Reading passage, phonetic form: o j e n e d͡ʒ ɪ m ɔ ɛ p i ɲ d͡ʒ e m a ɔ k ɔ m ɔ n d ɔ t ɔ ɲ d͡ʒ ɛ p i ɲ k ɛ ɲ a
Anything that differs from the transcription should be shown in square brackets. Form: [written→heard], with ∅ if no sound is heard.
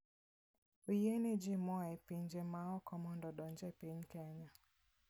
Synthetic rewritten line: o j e n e d͡ʒ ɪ m ɔ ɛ p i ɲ d͡ʒ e m a ɔ k ɔ m ɔ n d ɔ [t→d] ɔ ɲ d͡ʒ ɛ p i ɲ k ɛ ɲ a